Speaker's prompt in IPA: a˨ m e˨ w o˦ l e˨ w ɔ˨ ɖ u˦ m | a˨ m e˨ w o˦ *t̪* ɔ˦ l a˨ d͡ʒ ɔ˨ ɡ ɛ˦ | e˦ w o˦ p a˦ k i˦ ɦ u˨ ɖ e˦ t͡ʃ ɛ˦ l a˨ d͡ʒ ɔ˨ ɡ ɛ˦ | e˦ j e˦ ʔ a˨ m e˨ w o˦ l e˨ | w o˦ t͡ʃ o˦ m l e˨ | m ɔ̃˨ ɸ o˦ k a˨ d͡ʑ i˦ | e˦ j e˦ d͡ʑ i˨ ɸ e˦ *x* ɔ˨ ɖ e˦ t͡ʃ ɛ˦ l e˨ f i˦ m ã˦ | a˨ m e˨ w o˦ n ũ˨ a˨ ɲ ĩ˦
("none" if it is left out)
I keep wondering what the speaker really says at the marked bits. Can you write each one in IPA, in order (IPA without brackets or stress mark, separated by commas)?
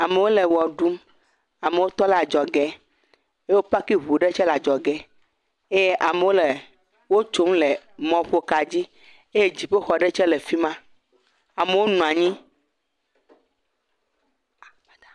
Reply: t̪, x